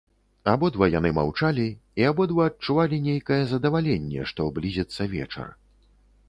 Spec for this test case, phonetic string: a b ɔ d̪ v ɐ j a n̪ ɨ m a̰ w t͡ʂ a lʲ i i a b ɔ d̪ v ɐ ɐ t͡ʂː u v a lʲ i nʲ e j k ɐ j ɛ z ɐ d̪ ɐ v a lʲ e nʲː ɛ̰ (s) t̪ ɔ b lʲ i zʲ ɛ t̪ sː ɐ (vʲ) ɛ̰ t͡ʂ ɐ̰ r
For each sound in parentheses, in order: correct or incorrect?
incorrect, correct

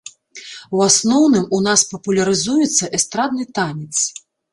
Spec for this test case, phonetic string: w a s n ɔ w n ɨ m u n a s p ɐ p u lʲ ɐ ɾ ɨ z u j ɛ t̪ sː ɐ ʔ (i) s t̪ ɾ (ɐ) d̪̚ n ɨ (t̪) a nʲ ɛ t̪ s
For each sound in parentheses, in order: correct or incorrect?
incorrect, incorrect, correct

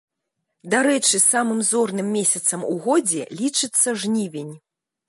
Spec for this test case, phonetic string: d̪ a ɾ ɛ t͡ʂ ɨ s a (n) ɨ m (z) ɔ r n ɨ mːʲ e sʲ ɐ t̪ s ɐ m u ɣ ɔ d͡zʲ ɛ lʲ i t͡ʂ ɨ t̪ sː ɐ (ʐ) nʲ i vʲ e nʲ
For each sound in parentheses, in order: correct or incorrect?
incorrect, correct, correct

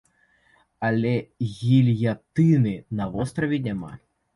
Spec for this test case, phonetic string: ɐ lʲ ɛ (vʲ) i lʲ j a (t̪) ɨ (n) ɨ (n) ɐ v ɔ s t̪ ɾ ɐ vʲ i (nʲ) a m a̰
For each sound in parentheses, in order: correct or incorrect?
incorrect, correct, correct, correct, correct

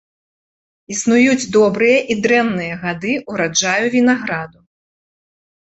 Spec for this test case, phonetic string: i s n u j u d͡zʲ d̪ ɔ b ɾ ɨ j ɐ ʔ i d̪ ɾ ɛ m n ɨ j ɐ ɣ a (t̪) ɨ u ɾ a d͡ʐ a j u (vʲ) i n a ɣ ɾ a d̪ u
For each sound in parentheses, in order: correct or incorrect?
incorrect, correct

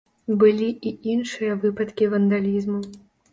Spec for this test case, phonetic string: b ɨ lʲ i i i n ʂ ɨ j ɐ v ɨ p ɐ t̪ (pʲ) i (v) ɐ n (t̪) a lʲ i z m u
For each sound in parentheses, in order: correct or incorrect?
incorrect, correct, incorrect

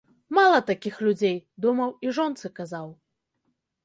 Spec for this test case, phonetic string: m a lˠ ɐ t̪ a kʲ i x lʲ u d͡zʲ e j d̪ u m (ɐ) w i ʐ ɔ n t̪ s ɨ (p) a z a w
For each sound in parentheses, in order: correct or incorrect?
correct, incorrect

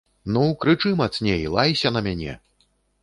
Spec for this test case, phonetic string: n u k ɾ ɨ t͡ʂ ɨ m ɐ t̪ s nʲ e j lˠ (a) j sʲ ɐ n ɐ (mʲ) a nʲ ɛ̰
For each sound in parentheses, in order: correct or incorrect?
correct, correct

